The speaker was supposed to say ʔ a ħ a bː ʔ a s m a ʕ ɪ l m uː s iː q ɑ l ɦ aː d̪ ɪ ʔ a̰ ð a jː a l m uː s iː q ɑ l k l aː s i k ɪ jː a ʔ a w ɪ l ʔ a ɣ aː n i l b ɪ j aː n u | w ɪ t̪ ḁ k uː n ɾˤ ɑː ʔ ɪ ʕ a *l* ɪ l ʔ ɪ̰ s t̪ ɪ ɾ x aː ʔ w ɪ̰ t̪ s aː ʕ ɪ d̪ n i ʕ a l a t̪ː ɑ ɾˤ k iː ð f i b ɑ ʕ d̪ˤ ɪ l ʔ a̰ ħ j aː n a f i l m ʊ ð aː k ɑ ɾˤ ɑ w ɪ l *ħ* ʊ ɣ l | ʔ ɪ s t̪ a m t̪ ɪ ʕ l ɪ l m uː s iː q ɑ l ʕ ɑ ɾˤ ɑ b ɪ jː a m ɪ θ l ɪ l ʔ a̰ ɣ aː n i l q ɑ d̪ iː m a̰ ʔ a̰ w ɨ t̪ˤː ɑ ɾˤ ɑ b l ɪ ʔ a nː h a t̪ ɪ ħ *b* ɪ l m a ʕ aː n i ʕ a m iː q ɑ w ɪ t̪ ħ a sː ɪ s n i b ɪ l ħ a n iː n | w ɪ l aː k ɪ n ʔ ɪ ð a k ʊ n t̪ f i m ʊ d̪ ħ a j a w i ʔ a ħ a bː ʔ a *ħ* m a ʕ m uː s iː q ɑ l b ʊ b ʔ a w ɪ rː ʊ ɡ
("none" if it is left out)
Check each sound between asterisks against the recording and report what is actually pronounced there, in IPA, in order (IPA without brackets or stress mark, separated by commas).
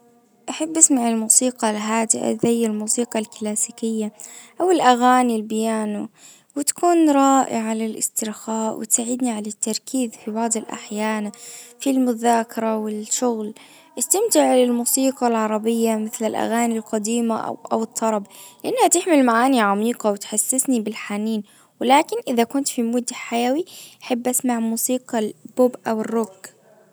l, ʃ, m, s